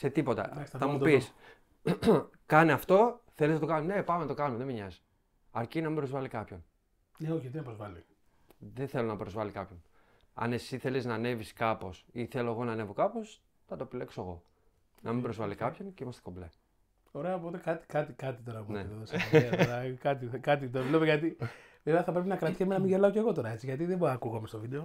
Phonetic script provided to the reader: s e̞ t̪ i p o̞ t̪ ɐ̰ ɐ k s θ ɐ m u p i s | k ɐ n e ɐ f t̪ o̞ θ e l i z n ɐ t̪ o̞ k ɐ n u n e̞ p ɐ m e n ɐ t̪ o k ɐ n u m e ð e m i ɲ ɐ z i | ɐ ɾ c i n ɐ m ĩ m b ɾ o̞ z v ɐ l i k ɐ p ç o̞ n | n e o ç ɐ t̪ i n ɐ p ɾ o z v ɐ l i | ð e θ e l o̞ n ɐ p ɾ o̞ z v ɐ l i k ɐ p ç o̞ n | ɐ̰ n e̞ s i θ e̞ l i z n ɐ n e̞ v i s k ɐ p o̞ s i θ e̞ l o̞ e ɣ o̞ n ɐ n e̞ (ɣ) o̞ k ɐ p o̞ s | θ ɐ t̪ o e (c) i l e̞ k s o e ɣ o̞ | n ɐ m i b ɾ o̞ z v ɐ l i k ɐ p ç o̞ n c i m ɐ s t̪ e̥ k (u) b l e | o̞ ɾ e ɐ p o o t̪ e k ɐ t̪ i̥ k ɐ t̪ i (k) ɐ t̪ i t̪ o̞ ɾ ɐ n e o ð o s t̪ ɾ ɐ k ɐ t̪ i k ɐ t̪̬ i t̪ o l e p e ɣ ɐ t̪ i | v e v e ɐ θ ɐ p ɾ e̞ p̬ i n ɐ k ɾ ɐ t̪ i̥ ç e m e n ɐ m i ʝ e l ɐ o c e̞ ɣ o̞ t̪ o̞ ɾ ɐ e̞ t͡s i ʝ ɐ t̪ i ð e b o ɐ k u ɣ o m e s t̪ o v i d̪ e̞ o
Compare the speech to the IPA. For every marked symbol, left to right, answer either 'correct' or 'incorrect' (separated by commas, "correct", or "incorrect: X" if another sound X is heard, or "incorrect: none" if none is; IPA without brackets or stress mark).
incorrect: v, incorrect: p, incorrect: o, correct